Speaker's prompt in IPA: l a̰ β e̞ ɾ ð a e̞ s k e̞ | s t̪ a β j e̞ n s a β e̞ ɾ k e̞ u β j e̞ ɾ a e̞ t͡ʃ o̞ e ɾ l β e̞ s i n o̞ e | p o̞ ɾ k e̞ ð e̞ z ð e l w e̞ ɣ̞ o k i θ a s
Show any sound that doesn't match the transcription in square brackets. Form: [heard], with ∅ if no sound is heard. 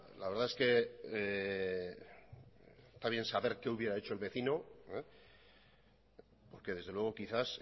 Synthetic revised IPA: l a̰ β e̞ ɾ ð a e̞ s k e̞ | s t̪ a β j e̞ n s a β e̞ ɾ k e̞ u β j e̞ ɾ a e̞ t͡ʃ o̞ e [∅] l β e̞ [θ] i n o̞ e | p o̞ ɾ k e̞ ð e̞ z ð e l w e̞ ɣ̞ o k i θ a s